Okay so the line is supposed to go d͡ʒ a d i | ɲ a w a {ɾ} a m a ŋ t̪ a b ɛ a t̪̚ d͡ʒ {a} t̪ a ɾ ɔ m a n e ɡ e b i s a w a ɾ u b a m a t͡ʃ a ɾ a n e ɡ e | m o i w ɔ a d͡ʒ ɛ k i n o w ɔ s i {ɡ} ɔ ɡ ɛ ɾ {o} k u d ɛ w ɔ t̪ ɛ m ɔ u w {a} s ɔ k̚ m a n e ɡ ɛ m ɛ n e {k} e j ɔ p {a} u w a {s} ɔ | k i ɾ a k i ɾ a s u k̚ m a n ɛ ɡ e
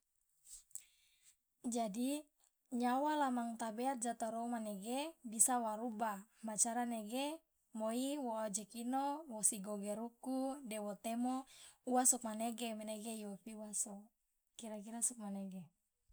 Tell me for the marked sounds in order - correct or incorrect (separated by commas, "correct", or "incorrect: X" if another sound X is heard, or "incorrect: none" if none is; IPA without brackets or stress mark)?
incorrect: l, correct, correct, incorrect: u, correct, incorrect: ɡ, incorrect: i, correct